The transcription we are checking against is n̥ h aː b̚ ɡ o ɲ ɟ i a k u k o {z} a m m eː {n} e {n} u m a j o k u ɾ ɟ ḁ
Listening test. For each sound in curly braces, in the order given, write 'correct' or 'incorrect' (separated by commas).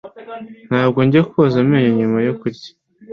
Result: correct, incorrect, incorrect